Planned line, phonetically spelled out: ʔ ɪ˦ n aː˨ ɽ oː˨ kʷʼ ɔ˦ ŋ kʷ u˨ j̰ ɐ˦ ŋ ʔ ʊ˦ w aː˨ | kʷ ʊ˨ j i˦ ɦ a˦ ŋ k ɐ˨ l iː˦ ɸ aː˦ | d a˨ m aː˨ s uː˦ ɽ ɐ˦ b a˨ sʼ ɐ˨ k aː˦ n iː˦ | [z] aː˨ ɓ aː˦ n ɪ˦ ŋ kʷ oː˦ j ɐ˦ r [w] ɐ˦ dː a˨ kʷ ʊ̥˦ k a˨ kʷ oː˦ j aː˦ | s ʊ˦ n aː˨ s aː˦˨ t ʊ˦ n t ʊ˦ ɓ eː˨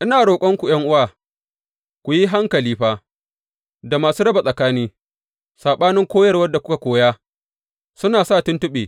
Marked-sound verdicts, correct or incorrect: incorrect, correct

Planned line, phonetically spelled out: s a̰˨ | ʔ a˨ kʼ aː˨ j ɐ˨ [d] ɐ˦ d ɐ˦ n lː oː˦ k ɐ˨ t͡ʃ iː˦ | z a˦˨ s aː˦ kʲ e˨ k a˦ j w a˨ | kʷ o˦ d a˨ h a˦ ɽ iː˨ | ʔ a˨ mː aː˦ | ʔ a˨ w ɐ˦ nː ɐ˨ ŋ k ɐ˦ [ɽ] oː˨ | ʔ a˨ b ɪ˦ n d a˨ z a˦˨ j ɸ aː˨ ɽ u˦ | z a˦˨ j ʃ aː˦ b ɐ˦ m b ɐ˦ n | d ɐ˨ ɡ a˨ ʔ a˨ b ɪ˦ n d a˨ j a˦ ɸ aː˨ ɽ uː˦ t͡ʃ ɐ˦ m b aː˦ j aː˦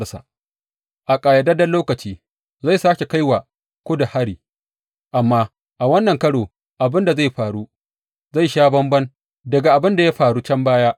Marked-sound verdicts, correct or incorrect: correct, correct

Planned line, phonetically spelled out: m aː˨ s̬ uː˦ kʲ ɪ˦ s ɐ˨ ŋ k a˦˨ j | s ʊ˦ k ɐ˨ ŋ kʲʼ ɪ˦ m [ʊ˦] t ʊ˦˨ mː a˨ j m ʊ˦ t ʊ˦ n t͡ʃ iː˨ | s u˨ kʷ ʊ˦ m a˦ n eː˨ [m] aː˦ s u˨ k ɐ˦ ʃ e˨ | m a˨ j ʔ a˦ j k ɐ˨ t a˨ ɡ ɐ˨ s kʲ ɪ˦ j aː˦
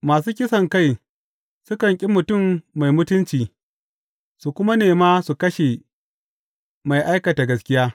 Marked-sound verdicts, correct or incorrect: incorrect, correct

